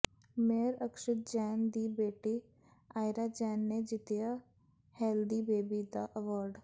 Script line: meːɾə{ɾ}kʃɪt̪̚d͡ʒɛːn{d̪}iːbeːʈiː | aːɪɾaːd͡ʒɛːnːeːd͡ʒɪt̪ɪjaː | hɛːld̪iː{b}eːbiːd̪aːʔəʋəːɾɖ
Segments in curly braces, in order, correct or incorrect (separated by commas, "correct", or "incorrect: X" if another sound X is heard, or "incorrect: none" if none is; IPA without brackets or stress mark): incorrect: none, correct, correct